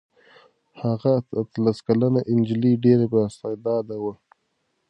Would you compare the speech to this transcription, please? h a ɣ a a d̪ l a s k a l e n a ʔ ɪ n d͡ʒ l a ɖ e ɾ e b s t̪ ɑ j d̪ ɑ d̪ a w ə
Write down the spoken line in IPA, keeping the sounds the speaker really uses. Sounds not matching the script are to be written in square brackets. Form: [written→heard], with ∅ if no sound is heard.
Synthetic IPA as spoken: h a ɣ a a [d̪→t̪] l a s k a l [e→a] n a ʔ ɪ n d͡ʒ l [a→i] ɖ e ɾ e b s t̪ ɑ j d̪ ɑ d̪ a w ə